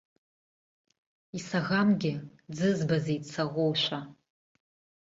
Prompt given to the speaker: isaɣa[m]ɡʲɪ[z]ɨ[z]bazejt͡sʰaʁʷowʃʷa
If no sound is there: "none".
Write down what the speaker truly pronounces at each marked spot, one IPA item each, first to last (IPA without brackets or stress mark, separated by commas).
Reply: m, d͡z, z